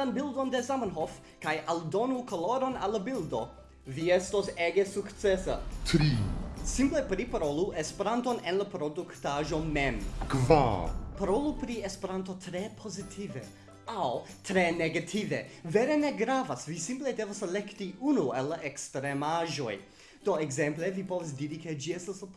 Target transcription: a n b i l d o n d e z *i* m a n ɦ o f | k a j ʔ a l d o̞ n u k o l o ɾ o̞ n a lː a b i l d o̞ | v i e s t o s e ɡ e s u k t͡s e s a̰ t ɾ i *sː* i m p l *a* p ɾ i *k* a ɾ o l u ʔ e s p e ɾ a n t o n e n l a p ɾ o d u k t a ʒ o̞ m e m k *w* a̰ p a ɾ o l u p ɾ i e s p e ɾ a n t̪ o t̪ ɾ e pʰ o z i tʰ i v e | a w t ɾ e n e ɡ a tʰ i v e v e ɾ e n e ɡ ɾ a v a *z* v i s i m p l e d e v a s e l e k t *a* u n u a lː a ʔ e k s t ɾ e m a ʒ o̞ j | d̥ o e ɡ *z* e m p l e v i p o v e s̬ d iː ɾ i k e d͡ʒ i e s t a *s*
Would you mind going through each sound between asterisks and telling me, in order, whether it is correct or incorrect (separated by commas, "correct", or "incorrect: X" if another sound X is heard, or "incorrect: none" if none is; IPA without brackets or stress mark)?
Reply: incorrect: a, incorrect: s, incorrect: e, incorrect: p, incorrect: v, incorrect: s, incorrect: i, correct, correct